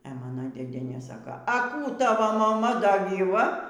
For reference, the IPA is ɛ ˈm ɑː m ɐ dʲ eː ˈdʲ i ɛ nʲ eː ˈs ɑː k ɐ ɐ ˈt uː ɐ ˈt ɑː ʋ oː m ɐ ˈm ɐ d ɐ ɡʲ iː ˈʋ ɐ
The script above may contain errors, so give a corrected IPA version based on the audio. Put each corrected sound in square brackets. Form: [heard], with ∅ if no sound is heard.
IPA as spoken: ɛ ˈm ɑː [n] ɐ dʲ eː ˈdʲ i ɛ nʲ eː ˈs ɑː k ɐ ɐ [ˈk] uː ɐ ˈt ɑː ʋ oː m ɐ ˈm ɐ d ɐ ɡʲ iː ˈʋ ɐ